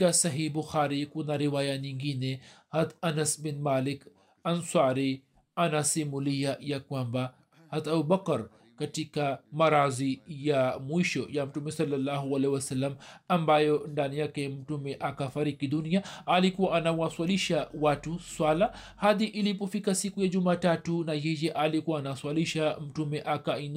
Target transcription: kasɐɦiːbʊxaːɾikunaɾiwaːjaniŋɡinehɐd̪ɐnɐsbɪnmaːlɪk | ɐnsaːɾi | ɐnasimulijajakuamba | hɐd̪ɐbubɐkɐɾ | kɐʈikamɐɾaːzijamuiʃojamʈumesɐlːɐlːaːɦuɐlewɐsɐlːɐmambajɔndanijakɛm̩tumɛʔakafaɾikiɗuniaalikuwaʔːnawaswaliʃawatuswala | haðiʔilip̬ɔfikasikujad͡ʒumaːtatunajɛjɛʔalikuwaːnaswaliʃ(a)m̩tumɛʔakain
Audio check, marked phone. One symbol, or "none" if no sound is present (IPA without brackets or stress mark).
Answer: a